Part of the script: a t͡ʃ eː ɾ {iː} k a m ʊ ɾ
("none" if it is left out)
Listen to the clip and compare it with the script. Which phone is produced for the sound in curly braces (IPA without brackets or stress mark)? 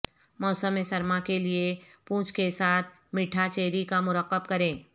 i